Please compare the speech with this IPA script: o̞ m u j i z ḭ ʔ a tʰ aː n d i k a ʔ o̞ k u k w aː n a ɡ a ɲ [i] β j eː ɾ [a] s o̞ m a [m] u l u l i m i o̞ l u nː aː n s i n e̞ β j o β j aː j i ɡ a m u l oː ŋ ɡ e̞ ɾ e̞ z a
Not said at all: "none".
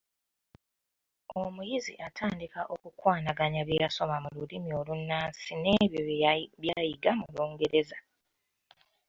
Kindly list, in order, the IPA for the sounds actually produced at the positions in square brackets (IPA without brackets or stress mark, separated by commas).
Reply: a, a, m